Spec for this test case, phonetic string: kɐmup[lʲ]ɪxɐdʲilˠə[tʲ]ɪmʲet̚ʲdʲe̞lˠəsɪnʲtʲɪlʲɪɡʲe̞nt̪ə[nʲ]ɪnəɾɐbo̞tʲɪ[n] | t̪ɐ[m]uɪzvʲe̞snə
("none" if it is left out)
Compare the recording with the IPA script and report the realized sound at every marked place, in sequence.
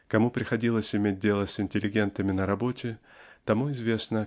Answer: ɾʲ, sʲ, mʲ, none, m

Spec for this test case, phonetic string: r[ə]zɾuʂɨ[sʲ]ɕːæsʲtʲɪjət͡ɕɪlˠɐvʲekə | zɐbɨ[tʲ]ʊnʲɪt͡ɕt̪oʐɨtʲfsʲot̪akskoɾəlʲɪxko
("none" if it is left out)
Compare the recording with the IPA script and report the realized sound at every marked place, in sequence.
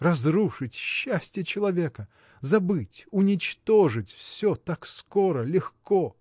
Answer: ɐ, tʲ, tʲ

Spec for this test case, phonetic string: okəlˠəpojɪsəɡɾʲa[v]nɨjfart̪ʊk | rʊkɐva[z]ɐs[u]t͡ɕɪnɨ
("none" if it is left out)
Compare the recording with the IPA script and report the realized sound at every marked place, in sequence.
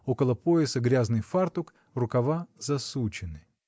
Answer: z, z, u

